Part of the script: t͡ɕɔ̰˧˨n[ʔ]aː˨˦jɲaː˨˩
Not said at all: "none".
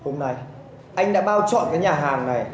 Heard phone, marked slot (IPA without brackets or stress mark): k